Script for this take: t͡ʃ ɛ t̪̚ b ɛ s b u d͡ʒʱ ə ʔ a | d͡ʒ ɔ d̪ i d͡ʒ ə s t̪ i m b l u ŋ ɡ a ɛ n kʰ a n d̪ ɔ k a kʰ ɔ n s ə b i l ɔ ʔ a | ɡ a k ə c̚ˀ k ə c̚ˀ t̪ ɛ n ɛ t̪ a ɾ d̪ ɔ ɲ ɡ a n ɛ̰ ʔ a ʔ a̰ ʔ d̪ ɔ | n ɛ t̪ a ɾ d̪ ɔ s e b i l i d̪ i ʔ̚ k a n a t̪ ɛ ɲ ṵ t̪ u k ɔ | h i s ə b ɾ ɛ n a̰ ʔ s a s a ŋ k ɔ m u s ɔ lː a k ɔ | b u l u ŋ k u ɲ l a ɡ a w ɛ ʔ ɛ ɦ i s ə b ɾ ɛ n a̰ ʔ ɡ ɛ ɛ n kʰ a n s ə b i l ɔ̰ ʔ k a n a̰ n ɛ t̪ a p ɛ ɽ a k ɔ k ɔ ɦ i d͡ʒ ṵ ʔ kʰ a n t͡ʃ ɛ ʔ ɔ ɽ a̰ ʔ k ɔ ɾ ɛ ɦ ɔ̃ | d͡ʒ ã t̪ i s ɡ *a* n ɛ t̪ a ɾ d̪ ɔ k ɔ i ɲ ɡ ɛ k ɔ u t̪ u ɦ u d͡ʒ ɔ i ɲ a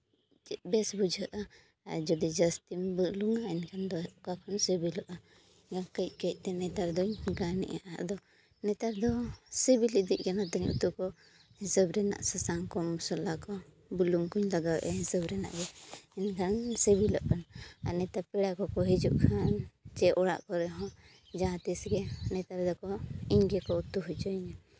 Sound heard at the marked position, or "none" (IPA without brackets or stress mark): ɛ